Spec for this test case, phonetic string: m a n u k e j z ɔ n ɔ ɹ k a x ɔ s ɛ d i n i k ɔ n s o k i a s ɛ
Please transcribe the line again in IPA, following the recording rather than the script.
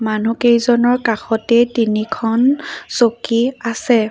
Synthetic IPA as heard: m a n u k e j z ɔ n ɔ ɹ k a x ɔ t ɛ t i n i kʰ ɔ n s o k i a s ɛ